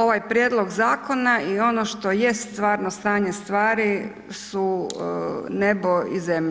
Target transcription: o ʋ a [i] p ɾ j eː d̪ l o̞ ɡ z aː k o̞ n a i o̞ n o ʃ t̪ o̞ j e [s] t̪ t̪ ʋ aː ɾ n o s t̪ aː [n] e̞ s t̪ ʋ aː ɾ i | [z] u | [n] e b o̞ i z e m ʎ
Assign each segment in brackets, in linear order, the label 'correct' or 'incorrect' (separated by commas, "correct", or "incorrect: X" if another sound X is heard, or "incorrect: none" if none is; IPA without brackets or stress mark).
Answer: incorrect: j, correct, incorrect: ɲ, incorrect: s, correct